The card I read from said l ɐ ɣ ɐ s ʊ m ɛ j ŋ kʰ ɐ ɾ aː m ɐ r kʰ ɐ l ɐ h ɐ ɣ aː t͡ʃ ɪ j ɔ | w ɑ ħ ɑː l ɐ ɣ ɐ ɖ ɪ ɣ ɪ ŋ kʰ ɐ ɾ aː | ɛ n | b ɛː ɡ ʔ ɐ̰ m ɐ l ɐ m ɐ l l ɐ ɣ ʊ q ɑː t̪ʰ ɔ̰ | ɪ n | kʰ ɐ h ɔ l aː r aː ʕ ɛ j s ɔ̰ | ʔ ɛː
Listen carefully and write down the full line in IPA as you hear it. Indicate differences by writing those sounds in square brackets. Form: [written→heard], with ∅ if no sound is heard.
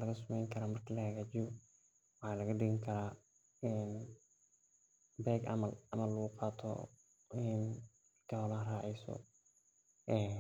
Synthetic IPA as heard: l ɐ ɣ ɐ s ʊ m ɛ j ŋ kʰ ɐ ɾ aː m ɐ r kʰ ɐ l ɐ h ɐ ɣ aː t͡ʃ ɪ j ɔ | w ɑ ħ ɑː l ɐ ɣ ɐ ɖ ɪ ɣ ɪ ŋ kʰ ɐ ɾ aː | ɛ n | b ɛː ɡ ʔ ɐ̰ m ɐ l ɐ m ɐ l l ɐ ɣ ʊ q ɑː t̪ʰ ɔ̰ | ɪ n | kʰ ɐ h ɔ l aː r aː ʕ ɛ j s ɔ̰ | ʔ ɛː

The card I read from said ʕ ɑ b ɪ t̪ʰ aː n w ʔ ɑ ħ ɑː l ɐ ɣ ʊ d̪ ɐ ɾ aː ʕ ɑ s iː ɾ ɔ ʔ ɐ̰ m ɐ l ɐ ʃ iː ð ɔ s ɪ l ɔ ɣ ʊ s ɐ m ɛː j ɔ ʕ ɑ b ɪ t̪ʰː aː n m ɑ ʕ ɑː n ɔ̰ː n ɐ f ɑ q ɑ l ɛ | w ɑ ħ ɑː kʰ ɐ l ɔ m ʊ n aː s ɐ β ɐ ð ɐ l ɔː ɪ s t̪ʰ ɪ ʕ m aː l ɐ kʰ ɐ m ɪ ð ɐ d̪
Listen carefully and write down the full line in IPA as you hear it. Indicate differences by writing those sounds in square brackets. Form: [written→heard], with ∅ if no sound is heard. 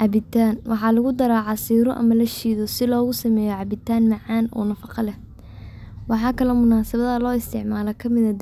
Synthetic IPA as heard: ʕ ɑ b ɪ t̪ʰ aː n w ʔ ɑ ħ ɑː l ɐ ɣ ʊ d̪ ɐ ɾ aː ʕ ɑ s iː ɾ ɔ ʔ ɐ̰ m ɐ l ɐ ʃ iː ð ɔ s ɪ l [ɔ→ɔː] ɣ ʊ s ɐ m ɛː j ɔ ʕ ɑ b ɪ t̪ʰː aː n m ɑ ʕ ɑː n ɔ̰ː n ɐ f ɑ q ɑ l ɛ | w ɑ ħ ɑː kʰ ɐ l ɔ m ʊ n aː s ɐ β ɐ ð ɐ l ɔː ɪ s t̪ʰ ɪ ʕ m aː l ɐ kʰ ɐ m ɪ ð ɐ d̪

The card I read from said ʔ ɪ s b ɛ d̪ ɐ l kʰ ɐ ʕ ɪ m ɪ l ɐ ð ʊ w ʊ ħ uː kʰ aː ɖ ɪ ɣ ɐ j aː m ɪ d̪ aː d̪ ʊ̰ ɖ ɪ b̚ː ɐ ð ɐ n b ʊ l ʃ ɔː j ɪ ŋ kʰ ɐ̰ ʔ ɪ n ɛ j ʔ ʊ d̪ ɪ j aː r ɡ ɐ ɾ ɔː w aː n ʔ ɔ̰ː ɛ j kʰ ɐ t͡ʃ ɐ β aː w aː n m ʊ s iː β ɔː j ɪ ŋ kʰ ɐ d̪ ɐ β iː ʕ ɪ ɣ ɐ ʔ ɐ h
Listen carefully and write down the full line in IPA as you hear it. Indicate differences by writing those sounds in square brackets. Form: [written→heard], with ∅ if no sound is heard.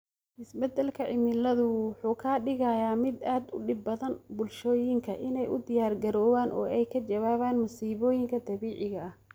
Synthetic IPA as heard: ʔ ɪ s b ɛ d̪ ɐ l kʰ ɐ ʕ ɪ m ɪ l ɐ ð ʊ w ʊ ħ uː kʰ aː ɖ ɪ ɣ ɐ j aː m ɪ d̪ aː d̪ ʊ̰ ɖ ɪ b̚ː ɐ ð ɐ n b ʊ l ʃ ɔː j ɪ ŋ kʰ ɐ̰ ʔ ɪ n ɛ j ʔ ʊ d̪ ɪ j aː r ɡ ɐ ɾ ɔː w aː n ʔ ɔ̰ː ɛ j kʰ ɐ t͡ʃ ɐ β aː [w→β] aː n m ʊ s iː β ɔː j ɪ ŋ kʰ ɐ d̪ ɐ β iː ʕ ɪ ɣ ɐ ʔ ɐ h

